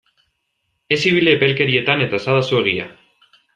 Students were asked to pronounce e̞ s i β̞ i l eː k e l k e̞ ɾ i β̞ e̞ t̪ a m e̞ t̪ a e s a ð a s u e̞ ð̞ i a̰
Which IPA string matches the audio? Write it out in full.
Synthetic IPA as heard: e̞ s i β̞ i l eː p e l k e̞ ɾ i e̞ t̪ a n e̞ t̪ a e s a ð a s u e̞ ɣ̞ i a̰